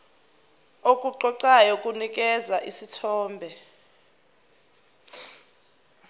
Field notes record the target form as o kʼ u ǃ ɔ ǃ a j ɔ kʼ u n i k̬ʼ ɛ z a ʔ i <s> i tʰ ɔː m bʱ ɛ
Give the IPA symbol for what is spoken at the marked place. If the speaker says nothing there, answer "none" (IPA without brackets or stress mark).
s